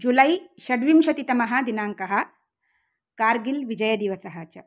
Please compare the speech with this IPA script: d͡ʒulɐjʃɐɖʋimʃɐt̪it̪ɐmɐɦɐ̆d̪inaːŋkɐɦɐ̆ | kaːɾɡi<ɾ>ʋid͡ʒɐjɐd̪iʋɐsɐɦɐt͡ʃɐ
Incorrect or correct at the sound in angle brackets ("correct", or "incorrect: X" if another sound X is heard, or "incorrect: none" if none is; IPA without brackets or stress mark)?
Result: incorrect: l